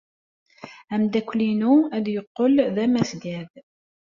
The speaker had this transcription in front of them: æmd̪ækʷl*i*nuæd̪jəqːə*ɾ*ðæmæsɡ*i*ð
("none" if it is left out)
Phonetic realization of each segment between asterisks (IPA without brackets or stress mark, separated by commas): i, l, æ